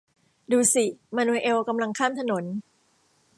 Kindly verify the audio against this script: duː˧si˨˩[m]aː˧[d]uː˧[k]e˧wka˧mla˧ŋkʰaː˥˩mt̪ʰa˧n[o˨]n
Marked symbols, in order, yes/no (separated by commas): yes, no, no, no